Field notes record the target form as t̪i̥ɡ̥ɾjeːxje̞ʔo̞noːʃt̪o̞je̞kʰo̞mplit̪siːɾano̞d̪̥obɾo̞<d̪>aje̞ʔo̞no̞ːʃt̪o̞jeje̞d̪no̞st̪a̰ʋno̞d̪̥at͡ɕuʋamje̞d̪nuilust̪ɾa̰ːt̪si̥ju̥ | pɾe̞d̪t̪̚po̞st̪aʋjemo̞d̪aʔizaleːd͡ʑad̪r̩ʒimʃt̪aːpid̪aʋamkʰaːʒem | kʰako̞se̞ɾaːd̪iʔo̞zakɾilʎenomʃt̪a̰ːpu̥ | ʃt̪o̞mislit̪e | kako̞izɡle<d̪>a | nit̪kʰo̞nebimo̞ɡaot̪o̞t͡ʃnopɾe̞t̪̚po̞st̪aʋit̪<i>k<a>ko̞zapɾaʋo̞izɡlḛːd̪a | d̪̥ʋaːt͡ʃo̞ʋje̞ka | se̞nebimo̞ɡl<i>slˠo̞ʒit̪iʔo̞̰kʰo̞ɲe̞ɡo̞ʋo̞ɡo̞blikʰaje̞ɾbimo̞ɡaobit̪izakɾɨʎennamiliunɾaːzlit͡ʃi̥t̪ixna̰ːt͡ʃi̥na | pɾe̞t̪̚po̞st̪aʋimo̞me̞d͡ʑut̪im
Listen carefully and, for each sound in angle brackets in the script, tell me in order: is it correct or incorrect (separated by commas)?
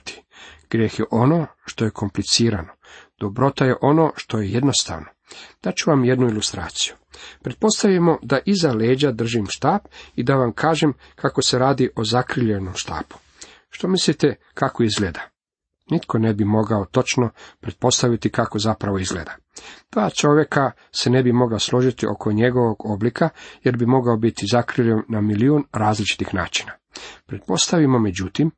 incorrect, correct, correct, correct, incorrect